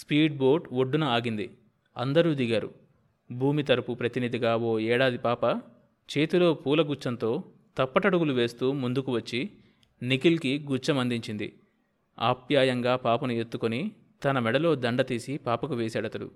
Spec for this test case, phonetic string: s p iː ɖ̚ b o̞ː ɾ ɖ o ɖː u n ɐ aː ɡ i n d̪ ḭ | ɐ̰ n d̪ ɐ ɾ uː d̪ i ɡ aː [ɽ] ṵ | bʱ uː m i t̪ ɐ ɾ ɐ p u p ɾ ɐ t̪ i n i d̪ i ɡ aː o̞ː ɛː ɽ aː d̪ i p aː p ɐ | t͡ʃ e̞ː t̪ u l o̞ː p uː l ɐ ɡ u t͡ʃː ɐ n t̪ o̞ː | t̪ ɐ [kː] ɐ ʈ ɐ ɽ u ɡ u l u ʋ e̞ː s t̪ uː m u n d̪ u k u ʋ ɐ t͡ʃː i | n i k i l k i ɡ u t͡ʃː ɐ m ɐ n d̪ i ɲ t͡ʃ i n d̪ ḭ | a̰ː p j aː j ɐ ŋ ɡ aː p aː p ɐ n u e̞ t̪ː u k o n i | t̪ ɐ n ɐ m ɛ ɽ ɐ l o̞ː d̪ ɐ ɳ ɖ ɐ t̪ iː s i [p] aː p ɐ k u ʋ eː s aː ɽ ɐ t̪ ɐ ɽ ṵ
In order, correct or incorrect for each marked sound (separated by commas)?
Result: incorrect, incorrect, correct